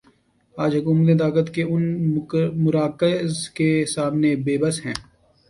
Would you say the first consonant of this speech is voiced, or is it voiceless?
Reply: voiced